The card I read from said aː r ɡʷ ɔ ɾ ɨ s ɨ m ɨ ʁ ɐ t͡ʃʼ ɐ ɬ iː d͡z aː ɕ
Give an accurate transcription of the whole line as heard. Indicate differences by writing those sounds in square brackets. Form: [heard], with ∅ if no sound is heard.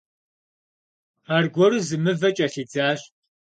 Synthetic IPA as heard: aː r ɡʷ ɔ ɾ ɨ [z] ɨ m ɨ [v] ɐ t͡ʃʼ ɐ ɬ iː d͡z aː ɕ